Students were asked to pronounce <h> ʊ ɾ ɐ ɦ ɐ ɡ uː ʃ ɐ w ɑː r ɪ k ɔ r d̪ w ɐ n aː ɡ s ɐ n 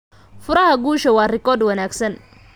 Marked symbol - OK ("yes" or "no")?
no